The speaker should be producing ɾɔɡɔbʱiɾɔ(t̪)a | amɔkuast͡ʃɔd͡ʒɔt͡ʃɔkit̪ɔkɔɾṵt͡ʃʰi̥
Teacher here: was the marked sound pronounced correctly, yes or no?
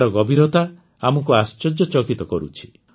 yes